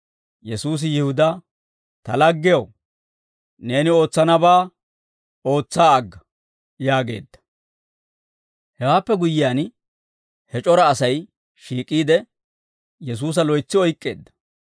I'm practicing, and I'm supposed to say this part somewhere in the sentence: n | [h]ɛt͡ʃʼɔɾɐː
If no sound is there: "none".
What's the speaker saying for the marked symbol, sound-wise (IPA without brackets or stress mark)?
h